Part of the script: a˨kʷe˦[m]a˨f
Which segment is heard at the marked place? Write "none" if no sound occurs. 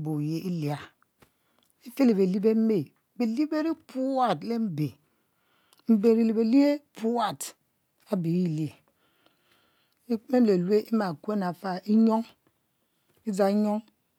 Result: n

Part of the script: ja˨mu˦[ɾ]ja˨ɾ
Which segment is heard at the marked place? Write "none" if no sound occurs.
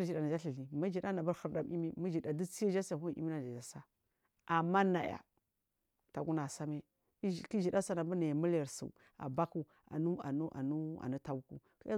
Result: l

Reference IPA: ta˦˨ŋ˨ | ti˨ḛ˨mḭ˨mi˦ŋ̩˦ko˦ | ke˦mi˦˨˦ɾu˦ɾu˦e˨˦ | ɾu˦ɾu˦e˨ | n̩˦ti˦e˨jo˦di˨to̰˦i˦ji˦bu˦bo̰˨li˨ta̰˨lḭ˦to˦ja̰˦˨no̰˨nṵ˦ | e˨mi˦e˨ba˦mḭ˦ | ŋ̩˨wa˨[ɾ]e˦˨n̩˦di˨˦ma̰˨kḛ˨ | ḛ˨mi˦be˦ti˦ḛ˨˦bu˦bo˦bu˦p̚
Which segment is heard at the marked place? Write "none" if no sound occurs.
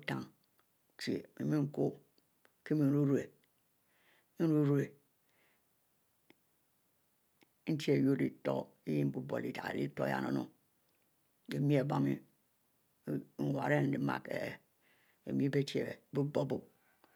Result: ɾ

